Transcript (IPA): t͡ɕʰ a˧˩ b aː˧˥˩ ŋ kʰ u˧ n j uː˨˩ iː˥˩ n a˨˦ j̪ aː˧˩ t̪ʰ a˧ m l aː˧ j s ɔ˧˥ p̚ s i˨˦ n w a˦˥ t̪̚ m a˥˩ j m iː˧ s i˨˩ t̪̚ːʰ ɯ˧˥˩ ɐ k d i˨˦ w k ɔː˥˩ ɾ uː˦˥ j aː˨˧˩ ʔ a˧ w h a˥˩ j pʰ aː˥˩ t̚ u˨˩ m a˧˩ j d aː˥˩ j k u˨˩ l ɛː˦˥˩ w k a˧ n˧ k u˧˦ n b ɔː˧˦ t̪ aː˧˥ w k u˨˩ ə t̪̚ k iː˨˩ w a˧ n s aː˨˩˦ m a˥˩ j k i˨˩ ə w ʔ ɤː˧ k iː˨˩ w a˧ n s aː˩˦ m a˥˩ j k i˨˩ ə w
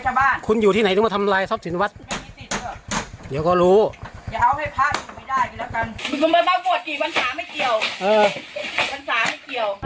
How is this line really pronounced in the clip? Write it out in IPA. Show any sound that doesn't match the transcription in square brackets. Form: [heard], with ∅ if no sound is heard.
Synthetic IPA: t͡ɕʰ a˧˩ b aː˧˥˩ [n] kʰ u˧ n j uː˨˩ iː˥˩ n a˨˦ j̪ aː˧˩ t̪ʰ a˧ m l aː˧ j s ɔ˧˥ p̚ s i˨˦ n w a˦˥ t̪̚ m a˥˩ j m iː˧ s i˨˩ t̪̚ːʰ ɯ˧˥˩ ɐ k d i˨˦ w k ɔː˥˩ ɾ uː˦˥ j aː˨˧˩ ʔ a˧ w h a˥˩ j pʰ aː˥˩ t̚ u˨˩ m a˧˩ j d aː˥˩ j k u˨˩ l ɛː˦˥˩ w k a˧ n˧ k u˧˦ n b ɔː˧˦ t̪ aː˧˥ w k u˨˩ ə t̪̚ k iː˨˩ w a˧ n s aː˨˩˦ m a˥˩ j k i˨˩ ə w ʔ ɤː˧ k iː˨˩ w a˧ n s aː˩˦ m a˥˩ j k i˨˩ ə w